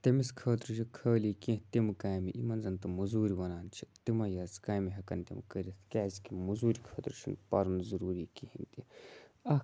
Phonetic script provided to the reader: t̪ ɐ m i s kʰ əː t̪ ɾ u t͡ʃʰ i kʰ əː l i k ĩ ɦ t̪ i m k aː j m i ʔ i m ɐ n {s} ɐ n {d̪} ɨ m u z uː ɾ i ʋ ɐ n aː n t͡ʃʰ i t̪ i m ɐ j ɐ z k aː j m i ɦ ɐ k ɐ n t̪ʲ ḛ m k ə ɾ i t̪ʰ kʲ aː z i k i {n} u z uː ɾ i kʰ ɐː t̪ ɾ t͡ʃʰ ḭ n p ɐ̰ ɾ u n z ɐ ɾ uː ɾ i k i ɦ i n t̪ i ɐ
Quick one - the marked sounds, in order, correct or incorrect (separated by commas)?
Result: incorrect, incorrect, incorrect